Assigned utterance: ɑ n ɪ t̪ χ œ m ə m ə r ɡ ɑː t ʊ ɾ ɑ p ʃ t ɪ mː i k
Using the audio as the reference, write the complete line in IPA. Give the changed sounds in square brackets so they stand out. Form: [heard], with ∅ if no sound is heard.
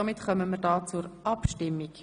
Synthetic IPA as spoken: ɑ [m] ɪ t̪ χ œ m ə m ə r [d] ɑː [t͡s] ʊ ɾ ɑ p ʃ t ɪ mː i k